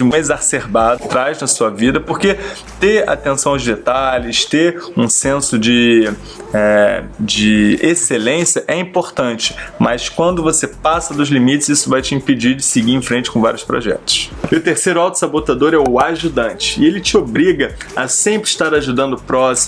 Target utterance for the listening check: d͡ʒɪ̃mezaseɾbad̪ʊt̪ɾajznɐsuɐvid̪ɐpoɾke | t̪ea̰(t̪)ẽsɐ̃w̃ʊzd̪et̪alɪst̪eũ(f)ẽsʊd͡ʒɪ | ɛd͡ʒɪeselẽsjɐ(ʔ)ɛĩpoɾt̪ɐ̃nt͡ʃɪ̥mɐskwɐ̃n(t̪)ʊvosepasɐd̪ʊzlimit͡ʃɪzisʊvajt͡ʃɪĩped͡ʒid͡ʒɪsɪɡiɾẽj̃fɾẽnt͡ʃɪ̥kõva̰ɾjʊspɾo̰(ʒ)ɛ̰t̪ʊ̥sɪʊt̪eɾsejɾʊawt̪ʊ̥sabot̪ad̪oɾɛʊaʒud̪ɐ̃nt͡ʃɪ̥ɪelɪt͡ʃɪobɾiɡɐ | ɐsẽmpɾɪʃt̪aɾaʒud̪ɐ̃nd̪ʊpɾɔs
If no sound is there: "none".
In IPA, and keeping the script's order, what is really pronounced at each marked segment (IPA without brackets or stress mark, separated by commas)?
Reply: t̪, s, ʔ, d̪, ʒ